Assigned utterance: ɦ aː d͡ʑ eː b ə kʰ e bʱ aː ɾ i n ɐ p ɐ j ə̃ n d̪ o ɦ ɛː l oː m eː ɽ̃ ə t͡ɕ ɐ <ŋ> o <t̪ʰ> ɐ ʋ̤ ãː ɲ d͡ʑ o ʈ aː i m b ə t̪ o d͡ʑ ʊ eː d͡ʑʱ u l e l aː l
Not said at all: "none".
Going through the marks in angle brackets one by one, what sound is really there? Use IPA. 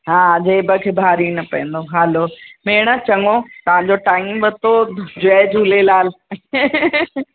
ŋ, t̪

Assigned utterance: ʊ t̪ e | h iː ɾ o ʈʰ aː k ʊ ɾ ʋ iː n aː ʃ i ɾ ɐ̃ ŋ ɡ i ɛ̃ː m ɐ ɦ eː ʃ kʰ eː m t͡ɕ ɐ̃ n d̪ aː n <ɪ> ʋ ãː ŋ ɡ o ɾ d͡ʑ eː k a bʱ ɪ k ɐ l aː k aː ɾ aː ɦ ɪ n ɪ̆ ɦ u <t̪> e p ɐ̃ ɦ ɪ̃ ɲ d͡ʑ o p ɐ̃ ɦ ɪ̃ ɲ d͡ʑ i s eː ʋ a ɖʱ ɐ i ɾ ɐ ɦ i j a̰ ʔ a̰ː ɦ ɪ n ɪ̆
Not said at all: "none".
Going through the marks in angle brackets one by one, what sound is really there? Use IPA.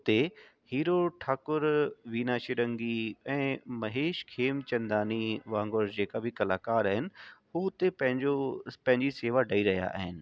i, t̪

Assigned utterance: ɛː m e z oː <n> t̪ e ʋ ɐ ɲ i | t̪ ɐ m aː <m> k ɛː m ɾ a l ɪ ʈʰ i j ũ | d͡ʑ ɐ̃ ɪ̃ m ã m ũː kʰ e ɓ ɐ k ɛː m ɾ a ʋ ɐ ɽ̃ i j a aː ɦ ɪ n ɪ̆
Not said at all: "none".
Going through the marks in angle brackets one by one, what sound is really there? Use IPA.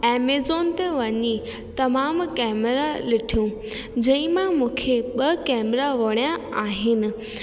n, m

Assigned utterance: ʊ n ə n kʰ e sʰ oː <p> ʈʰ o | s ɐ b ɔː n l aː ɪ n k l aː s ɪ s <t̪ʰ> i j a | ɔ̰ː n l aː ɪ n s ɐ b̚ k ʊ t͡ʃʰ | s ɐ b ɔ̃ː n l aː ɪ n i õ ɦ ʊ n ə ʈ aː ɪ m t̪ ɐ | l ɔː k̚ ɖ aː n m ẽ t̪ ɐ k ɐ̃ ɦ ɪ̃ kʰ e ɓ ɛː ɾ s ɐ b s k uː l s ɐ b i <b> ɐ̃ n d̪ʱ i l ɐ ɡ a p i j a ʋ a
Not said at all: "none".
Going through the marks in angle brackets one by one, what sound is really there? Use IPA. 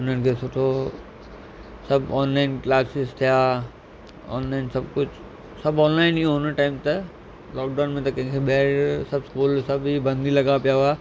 none, t̪ʰ, b

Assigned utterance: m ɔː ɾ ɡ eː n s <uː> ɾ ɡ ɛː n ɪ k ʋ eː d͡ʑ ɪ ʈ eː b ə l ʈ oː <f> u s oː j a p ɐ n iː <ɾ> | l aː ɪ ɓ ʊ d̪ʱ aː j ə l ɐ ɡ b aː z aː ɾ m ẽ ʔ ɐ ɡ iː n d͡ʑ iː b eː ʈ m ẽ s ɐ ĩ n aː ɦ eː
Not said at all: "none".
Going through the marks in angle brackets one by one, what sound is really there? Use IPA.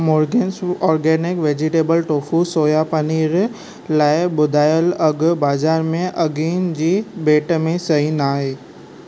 ɔː, f, ɾ

